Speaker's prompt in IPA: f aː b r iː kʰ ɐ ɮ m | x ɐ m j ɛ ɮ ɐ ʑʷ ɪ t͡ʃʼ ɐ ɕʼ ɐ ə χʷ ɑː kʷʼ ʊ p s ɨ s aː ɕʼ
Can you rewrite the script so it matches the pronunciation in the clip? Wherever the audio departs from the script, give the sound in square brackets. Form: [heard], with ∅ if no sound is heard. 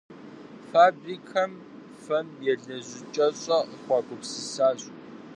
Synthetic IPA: f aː b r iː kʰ ɐ [∅] m | [f] ɐ m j ɛ ɮ ɐ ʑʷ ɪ t͡ʃʼ ɐ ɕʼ ɐ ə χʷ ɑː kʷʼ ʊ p s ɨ s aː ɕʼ